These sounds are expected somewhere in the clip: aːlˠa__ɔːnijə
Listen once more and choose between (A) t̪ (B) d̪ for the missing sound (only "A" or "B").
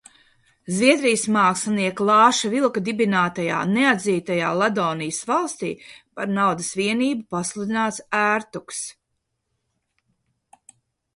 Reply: B